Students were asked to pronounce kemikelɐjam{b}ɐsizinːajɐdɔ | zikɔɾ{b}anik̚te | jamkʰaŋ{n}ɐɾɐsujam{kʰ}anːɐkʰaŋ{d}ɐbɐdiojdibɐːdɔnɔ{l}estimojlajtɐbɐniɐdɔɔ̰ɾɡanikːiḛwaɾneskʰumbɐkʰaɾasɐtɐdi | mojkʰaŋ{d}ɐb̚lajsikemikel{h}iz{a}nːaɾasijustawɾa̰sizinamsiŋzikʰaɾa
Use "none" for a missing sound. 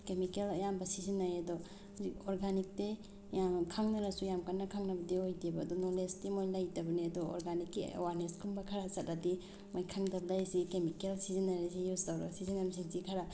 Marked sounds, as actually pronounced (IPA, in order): b, ɡ, n, k, n, l, d, s, i

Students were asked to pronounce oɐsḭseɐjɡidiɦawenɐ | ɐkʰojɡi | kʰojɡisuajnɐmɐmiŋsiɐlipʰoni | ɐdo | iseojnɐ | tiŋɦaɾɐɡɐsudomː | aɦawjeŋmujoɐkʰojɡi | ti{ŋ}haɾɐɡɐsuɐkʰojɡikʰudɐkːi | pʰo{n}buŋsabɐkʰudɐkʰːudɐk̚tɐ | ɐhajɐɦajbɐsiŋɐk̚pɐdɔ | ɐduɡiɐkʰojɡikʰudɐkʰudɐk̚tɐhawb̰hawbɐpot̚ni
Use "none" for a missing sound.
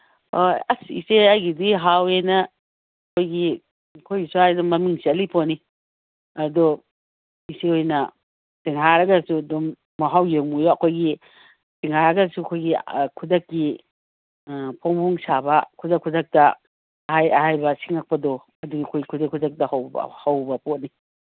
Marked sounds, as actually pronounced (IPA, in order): ŋ, ŋ

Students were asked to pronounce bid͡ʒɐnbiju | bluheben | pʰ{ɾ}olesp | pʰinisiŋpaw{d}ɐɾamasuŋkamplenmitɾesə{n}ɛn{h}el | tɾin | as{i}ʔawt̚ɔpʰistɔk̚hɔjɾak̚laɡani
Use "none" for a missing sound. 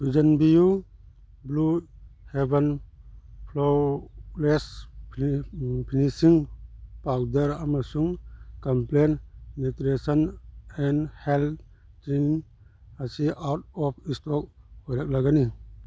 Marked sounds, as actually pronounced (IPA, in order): l, d, n, h, i

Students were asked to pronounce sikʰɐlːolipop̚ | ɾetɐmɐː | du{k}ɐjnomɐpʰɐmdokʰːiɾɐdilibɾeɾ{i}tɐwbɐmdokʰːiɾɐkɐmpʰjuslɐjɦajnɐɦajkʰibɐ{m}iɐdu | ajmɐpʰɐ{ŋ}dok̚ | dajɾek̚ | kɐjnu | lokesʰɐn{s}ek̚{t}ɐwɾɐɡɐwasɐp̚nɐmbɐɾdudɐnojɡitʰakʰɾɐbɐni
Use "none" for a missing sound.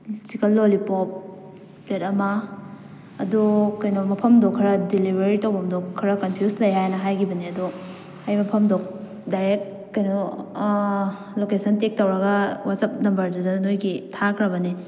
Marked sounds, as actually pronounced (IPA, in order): k, i, n, m, t, t

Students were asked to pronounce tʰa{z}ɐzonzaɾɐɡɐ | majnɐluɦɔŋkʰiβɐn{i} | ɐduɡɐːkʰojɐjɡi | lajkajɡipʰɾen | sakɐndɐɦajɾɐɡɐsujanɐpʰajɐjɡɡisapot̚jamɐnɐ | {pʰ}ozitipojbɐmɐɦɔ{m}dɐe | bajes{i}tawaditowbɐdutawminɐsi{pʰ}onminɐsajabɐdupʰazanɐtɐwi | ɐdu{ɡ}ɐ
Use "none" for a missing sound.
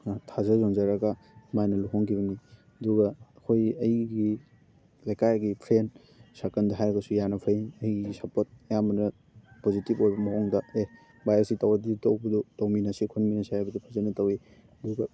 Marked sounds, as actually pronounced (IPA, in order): z, i, p, ŋ, i, kʰ, ɡ

